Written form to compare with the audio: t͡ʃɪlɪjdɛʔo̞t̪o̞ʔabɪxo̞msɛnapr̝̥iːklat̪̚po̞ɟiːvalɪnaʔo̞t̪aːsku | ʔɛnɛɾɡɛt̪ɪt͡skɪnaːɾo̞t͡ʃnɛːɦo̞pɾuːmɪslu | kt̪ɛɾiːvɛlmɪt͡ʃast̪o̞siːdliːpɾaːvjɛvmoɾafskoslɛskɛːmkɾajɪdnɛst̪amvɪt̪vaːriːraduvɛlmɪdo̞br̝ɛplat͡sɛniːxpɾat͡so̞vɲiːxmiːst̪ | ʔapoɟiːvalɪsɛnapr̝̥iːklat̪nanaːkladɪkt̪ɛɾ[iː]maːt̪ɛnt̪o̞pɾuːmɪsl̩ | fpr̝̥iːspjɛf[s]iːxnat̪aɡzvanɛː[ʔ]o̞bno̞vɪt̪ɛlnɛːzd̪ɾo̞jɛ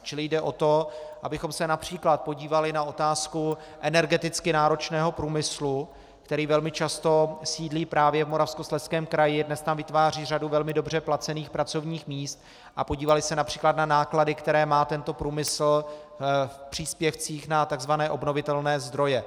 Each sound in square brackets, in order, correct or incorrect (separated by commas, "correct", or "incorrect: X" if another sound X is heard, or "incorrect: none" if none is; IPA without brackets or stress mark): incorrect: ɛː, incorrect: t͡s, correct